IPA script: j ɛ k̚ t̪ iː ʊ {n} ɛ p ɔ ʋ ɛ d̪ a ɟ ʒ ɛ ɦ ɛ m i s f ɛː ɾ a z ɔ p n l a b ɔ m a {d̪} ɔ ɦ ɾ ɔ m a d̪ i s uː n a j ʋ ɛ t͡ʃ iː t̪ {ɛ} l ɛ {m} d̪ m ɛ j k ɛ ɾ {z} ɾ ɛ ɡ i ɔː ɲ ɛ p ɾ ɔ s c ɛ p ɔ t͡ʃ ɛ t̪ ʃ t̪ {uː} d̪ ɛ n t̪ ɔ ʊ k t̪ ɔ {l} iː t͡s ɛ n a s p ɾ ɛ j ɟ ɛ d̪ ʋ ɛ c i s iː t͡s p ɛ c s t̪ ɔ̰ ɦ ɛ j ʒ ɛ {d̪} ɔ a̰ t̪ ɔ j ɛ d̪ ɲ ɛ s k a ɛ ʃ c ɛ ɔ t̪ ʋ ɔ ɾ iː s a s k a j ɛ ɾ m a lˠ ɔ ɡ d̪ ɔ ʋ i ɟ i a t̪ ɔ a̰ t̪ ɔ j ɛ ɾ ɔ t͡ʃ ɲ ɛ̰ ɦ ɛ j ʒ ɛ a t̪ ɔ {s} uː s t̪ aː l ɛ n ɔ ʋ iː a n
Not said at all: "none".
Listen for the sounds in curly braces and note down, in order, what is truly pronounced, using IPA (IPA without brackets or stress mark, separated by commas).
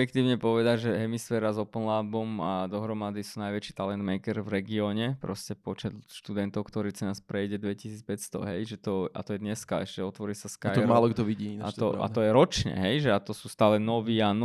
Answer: ɲ, d̪, a, n, v, u, ɾ, t̪, s